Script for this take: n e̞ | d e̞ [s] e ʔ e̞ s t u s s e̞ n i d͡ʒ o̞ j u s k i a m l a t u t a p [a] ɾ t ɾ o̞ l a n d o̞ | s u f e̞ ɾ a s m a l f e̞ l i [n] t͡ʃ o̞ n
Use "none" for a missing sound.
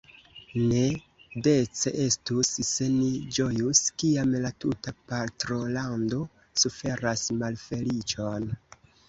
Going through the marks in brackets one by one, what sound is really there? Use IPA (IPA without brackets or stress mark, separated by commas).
t͡s, a, none